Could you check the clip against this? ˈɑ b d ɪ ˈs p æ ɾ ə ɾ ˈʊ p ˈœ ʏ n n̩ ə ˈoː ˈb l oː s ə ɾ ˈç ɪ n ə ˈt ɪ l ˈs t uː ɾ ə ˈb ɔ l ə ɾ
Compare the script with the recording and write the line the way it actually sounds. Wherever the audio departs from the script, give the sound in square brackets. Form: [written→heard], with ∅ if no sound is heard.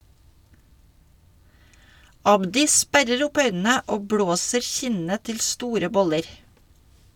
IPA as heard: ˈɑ b d ɪ ˈs p æ ɾ ə ɾ ˈʊ p ˈœ ʏ n n̩ ə ˈoː ˈb [l→ɽ] oː s ə ɾ ˈç ɪ n ə ˈt ɪ l ˈs t uː ɾ ə ˈb ɔ l ə ɾ